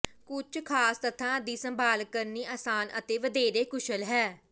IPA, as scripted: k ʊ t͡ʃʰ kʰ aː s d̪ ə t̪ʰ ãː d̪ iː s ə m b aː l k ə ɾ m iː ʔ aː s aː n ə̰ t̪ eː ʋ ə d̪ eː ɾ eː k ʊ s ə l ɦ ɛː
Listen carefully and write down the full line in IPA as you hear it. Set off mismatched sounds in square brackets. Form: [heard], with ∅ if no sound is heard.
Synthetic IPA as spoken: k ʊ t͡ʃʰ kʰ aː s [t̪] ə t̪ʰ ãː d̪ iː s ə m b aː l k ə ɾ [n] iː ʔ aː s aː n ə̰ t̪ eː ʋ ə d̪ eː ɾ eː k ʊ [ʃ] ə l ɦ ɛː